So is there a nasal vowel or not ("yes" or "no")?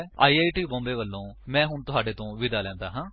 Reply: yes